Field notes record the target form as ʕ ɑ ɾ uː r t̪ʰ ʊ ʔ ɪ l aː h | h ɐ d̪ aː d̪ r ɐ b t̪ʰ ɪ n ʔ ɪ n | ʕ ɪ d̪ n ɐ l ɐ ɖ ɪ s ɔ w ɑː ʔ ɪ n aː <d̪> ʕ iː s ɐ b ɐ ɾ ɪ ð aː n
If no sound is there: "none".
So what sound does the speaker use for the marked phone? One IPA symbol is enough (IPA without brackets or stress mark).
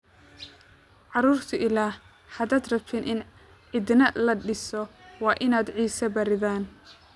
d̪